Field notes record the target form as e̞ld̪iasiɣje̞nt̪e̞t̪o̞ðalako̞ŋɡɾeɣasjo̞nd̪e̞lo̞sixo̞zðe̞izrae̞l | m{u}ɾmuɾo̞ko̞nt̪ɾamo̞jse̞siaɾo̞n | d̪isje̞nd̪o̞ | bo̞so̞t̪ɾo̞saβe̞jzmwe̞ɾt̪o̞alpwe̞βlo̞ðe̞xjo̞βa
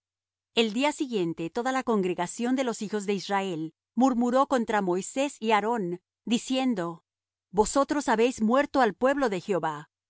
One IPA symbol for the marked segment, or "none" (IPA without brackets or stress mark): u